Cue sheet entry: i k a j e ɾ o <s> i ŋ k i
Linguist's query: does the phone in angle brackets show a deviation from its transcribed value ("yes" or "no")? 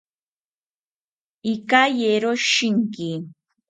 yes